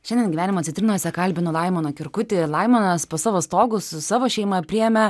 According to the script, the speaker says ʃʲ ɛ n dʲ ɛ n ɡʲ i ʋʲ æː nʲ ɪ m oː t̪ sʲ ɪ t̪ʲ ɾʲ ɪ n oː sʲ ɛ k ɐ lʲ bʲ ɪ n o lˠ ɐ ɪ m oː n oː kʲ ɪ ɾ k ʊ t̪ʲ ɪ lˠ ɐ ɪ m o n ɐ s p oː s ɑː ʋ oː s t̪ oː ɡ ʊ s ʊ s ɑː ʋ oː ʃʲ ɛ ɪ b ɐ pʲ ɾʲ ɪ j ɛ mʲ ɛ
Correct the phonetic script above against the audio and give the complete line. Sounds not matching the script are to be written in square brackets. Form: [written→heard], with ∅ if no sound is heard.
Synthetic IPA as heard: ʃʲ ɛ n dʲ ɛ n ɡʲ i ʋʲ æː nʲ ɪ m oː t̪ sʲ ɪ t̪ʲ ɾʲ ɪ n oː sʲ ɛ k ɐ lʲ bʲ ɪ n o lˠ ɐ ɪ m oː n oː kʲ ɪ ɾ k ʊ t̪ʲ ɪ lˠ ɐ ɪ m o n ɐ s p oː s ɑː ʋ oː s t̪ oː ɡ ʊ s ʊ s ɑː ʋ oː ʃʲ ɛ ɪ [b→m] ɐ pʲ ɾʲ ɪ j ɛ mʲ ɛ